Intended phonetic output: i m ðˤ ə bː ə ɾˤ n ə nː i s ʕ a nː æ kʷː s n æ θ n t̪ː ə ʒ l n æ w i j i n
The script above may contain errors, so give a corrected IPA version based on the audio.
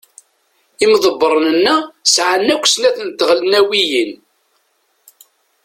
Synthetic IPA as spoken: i m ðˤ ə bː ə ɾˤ n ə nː æ s ʕ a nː æ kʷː s n æ θ n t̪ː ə ʁ l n æ w i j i n